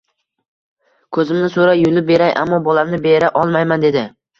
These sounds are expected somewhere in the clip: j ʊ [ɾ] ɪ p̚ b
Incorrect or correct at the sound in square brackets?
incorrect: l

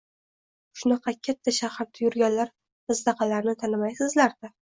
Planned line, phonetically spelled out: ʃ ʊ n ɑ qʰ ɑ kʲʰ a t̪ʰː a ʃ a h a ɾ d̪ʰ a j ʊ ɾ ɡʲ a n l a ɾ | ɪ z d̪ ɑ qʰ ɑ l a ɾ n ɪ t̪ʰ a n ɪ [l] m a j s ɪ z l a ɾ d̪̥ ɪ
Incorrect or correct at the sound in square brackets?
incorrect: none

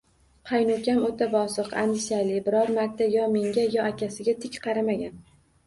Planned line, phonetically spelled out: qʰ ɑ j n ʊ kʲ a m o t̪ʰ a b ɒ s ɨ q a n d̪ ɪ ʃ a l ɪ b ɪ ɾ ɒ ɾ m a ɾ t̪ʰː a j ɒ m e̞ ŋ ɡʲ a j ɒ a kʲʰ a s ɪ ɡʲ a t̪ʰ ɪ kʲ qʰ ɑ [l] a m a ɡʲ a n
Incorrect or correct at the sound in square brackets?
incorrect: ɾ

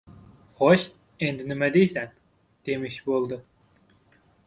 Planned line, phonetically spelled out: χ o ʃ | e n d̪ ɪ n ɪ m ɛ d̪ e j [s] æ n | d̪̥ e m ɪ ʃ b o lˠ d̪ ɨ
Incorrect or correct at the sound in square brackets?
correct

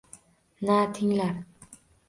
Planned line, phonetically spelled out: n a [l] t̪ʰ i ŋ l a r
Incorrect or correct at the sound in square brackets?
incorrect: none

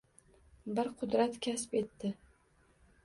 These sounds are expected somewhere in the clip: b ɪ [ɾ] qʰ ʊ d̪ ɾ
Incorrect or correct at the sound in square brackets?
correct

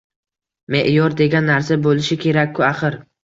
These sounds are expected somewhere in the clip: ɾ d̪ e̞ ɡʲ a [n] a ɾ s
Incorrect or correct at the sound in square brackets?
incorrect: nː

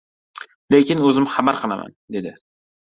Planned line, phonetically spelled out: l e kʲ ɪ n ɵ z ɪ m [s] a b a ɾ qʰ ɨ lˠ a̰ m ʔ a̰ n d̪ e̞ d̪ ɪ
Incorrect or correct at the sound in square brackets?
incorrect: χ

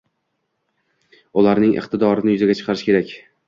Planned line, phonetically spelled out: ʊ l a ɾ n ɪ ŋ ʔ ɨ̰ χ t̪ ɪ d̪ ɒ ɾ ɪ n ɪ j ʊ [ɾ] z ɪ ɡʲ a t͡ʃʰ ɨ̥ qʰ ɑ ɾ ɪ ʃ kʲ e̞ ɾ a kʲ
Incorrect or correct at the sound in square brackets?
incorrect: none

